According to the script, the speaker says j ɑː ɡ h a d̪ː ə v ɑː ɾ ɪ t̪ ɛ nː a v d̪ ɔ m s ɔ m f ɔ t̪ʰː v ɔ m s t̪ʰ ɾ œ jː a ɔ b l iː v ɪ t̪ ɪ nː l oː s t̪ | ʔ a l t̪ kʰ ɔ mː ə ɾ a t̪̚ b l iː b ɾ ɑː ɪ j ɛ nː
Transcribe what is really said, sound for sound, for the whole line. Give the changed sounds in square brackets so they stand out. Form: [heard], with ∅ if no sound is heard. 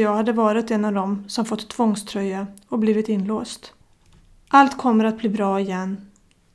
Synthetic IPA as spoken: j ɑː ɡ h a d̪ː ə v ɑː ɾ ɪ t̪ ɛ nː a v d̪ ɔ m s ɔ m f ɔ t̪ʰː v ɔ [ŋ] s t̪ʰ ɾ œ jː a ɔ b l iː v ɪ t̪ ɪ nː l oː s t̪ | ʔ a l t̪ kʰ ɔ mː ə ɾ a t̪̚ b l iː b ɾ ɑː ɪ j ɛ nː